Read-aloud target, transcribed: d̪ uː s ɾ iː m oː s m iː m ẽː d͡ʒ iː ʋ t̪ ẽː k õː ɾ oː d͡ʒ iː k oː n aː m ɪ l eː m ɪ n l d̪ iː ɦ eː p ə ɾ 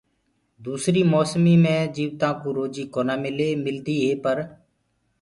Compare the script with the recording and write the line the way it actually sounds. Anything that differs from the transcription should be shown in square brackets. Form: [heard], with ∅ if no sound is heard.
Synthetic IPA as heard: d̪ uː s ɾ iː m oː s m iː m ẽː d͡ʒ iː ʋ t̪ [ãː] k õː ɾ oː d͡ʒ iː k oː n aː m ɪ l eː m ɪ [∅] l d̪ iː ɦ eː p ə ɾ

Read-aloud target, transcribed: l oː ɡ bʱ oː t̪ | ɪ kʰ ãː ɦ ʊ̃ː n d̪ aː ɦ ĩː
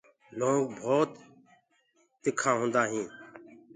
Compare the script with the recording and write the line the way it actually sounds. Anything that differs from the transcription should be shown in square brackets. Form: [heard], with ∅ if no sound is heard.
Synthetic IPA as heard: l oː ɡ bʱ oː t̪ | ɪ kʰ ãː ɦ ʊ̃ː n d̪ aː ɦ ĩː

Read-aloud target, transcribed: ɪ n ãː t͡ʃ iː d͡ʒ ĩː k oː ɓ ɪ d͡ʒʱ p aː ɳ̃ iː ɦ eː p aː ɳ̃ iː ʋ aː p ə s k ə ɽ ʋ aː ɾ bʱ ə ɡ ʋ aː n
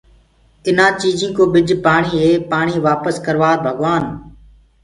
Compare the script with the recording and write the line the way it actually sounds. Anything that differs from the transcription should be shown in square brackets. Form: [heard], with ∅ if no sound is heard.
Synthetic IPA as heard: ɪ n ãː t͡ʃ iː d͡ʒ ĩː k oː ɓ ɪ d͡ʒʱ p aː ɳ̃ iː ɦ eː p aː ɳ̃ iː ʋ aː p ə s k ə [ɾ] ʋ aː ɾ bʱ ə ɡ ʋ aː n

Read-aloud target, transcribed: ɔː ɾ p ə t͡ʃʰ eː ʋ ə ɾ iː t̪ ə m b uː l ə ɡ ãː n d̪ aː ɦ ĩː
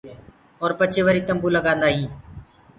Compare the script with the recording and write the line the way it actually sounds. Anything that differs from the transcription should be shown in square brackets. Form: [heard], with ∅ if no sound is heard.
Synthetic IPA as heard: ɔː ɾ p ə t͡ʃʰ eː ʋ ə ɾ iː t̪ ə m b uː l ə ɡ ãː n d̪ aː ɦ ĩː

